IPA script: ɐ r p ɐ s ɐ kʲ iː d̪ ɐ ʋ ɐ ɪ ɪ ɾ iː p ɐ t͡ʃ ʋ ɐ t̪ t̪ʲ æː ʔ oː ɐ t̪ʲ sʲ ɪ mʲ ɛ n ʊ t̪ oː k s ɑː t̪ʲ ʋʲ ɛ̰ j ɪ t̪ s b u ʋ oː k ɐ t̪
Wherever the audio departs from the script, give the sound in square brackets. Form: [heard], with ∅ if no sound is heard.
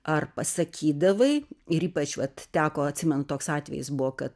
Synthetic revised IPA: ɐ r p ɐ s ɐ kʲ iː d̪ ɐ ʋ ɐ ɪ ɪ ɾ iː p ɐ t͡ʃ ʋ ɐ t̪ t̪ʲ æː [k] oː ɐ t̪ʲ sʲ ɪ mʲ ɛ n ʊ t̪ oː k s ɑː t̪ʲ ʋʲ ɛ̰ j ɪ [∅] s b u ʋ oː k ɐ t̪